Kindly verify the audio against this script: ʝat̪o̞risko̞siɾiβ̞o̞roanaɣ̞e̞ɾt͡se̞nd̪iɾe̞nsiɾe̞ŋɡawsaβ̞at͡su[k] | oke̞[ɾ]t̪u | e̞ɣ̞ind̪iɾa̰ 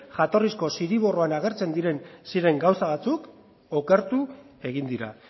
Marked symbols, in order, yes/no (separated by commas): yes, yes